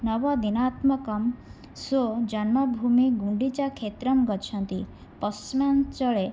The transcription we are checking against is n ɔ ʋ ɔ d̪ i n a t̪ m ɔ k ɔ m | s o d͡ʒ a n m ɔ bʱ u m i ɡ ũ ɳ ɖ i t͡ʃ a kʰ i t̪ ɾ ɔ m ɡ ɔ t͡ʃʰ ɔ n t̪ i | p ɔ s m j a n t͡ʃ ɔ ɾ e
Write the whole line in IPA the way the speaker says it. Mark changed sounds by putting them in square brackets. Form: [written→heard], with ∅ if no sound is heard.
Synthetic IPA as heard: n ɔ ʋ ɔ d̪ i n a t̪ m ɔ k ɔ m | s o d͡ʒ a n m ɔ bʱ u m i ɡ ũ ɳ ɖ i t͡ʃ a kʰ [i→e] t̪ ɾ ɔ m ɡ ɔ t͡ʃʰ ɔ n t̪ i | p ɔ s m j a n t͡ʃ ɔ [ɾ→ɭ] e